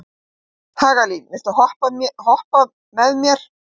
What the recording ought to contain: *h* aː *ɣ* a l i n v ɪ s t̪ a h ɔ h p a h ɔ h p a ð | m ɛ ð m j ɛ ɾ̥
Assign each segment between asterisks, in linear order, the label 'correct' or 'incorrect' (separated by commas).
correct, correct